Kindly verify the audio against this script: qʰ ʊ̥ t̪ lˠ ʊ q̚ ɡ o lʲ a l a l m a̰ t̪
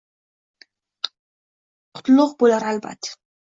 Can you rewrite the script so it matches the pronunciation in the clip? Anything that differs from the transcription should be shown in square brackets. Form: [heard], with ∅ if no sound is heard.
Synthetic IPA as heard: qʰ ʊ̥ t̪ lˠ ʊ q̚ [b] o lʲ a [ɾ] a l [b] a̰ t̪